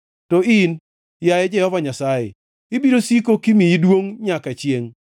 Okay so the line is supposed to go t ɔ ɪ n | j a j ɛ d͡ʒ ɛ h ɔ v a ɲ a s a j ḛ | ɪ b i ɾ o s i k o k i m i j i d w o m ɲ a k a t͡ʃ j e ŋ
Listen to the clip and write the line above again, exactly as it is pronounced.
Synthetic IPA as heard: t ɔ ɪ n | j a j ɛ d͡ʒ ɛ h ɔ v a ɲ a s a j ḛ | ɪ b i ɾ o s i k o k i m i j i d w o ŋ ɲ a k a t͡ʃ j e ŋ